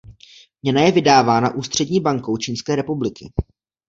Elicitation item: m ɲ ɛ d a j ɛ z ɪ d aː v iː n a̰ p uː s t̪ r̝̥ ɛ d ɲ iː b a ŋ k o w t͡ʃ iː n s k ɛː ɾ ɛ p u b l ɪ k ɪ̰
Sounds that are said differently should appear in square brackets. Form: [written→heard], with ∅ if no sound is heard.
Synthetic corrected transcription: m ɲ ɛ [d→n] a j ɛ [z→v] ɪ d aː v [iː→aː] n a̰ [p→ʔ] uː s t̪ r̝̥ ɛ d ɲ iː b a ŋ k o w t͡ʃ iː n s k ɛː ɾ ɛ p u b l ɪ k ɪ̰